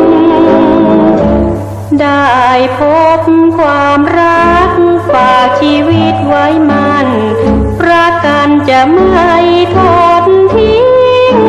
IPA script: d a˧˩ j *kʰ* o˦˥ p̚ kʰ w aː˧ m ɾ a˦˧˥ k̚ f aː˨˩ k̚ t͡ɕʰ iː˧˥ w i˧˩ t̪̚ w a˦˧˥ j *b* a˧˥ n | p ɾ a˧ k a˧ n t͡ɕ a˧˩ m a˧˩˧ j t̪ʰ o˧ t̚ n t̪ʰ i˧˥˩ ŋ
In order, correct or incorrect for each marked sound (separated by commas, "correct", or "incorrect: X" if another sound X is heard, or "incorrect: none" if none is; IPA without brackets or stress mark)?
incorrect: pʰ, incorrect: m